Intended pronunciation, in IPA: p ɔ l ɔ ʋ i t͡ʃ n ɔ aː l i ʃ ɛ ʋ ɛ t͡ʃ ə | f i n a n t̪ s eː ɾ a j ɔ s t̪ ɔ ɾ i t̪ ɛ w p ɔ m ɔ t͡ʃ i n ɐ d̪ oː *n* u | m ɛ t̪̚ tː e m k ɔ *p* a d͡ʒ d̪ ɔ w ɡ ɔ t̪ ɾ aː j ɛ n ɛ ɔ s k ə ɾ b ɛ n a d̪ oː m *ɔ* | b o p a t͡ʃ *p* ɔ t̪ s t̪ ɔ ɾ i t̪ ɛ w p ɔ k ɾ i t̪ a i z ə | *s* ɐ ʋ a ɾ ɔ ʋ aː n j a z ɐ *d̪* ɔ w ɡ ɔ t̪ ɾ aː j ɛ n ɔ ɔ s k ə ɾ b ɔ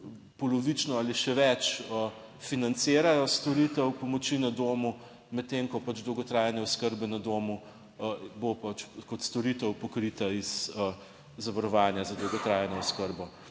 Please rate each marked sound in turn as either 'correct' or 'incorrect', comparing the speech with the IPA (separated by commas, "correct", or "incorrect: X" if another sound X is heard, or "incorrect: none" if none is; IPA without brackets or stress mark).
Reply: incorrect: m, correct, incorrect: u, incorrect: k, incorrect: z, correct